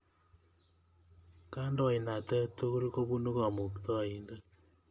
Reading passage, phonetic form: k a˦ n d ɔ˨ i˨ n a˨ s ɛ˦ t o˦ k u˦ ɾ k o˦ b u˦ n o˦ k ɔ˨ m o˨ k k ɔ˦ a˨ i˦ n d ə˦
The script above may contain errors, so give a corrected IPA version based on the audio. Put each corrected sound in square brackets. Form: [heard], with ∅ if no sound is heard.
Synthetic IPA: k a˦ n d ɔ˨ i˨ n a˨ [t] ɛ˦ t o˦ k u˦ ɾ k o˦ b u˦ n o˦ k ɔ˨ m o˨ k [t] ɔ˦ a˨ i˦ n d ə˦